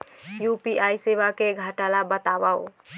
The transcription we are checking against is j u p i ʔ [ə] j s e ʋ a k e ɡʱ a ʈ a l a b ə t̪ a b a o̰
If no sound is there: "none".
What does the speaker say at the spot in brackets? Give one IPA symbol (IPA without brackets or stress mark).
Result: a